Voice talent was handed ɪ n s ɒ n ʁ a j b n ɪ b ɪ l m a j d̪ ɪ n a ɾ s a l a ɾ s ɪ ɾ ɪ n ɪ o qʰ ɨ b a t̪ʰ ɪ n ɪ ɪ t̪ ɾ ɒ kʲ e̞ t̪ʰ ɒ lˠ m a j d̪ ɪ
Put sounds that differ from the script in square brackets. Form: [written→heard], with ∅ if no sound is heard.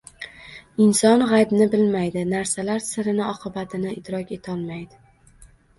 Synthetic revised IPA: ɪ n s ɒ n ʁ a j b n ɪ b ɪ l m a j d̪ ɪ n a ɾ s a l a ɾ s ɪ ɾ ɪ n ɪ [o→ɒ] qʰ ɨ b a t̪ʰ ɪ n ɪ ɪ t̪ ɾ ɒ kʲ e̞ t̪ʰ ɒ lˠ m a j d̪ ɪ